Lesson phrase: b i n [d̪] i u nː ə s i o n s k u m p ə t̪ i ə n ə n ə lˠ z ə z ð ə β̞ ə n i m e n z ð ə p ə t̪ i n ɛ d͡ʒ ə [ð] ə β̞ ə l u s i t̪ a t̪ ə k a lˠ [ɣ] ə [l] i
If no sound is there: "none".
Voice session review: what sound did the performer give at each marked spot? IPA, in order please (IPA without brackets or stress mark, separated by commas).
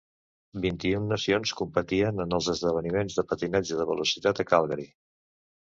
t̪, ð, ɣ, ɾ